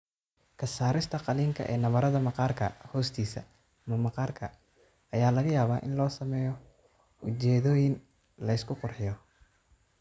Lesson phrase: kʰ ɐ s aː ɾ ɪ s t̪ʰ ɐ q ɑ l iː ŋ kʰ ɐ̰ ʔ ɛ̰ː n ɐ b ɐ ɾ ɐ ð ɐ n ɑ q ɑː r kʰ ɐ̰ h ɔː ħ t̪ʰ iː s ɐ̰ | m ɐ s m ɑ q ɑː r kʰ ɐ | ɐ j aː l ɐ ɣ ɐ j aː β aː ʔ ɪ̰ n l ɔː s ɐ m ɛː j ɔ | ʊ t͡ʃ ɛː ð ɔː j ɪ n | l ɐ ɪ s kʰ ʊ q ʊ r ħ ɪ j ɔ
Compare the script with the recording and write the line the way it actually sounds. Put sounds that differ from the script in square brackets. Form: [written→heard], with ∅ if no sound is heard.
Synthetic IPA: kʰ ɐ s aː ɾ ɪ s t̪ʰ ɐ q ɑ l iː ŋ kʰ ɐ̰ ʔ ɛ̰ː n ɐ [b→β] ɐ ɾ ɐ ð ɐ [n→m] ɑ q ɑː r kʰ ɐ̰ h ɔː [ħ→s] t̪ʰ iː s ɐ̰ | m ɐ [s→∅] m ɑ q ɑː r kʰ ɐ | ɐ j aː l ɐ ɣ ɐ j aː β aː ʔ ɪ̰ n l ɔː s ɐ m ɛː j ɔ | ʊ t͡ʃ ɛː ð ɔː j ɪ n | l ɐ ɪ s kʰ ʊ q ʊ r ħ ɪ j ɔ